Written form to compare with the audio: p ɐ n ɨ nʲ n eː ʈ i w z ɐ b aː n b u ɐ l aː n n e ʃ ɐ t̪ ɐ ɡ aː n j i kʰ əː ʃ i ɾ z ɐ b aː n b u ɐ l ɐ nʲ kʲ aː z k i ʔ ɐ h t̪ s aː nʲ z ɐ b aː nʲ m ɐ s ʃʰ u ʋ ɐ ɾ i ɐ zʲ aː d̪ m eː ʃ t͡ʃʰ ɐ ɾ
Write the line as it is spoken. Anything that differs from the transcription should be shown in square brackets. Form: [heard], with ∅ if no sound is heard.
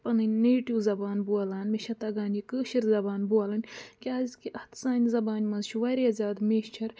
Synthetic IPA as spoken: p ɐ n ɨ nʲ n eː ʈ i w z ɐ b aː n b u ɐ l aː n [m] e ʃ ɐ t̪ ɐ ɡ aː n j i [k] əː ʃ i ɾ z ɐ b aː n b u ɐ l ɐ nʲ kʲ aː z k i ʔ ɐ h t̪ s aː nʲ z ɐ b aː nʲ m ɐ [z] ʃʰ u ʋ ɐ ɾ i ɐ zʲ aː d̪ m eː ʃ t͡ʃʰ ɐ ɾ